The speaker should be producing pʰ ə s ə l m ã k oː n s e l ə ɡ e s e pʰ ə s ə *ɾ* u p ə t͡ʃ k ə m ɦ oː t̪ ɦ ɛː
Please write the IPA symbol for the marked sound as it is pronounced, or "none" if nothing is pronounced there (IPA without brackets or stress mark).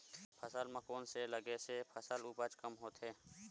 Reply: l